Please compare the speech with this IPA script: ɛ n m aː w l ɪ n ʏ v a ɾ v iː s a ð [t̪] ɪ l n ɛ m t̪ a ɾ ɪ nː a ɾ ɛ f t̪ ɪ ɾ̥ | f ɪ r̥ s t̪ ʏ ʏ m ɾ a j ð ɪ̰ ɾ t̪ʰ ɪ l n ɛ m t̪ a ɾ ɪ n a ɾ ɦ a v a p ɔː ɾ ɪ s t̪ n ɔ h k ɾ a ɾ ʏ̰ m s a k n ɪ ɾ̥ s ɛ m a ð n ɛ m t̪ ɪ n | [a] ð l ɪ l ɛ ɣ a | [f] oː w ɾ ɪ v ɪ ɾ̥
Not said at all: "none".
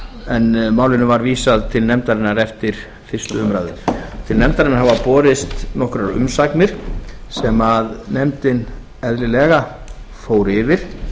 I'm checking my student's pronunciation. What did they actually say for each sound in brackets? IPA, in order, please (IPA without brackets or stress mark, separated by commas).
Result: t̪ʰ, ɛ, f